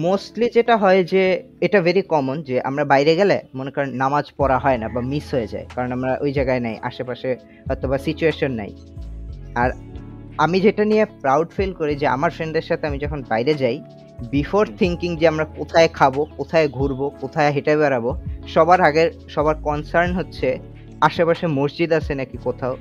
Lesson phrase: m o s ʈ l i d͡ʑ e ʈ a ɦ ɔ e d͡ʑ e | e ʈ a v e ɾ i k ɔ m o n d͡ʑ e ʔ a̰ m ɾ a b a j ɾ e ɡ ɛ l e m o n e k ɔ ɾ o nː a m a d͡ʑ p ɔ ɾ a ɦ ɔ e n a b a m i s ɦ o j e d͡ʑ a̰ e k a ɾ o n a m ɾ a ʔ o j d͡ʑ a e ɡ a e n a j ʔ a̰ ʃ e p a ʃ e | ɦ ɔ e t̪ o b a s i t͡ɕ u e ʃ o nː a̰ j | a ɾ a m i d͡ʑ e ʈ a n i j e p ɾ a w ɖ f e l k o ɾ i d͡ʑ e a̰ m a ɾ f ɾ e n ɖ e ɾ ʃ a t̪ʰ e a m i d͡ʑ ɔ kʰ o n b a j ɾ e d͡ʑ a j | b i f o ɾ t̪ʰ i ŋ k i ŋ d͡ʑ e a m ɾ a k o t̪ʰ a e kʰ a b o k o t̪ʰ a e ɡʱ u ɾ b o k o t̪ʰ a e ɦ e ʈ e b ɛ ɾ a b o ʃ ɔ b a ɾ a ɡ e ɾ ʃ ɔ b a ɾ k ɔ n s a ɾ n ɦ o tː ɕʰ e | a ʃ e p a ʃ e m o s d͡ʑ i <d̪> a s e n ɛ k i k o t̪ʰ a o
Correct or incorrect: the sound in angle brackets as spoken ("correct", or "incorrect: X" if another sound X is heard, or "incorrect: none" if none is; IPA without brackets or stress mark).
correct